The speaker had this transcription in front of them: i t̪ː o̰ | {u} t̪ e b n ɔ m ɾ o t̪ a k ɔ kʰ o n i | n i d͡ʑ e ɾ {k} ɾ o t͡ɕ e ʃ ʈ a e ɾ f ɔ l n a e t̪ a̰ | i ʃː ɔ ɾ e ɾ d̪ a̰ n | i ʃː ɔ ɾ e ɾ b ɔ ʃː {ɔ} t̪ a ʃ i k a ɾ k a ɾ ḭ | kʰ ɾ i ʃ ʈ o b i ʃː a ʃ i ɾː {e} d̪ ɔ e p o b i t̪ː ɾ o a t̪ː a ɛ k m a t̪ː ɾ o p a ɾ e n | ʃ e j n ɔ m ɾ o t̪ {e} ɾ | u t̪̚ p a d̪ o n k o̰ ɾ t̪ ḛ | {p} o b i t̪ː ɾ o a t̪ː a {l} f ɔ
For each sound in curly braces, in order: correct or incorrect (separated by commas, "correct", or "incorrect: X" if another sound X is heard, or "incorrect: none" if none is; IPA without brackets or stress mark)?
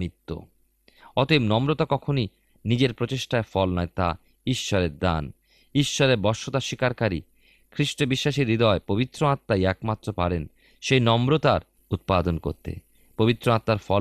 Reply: incorrect: ɔ, incorrect: p, incorrect: o, incorrect: i, incorrect: a, correct, incorrect: ɾ